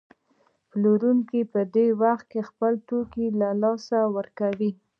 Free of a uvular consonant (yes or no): yes